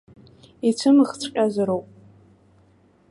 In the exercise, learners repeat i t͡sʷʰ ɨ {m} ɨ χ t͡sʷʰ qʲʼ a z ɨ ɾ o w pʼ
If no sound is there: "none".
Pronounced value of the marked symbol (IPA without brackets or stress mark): m